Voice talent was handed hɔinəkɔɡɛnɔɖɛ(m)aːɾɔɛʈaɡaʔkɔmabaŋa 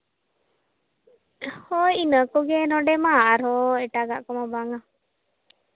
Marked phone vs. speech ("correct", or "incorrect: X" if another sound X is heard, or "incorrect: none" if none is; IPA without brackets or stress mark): correct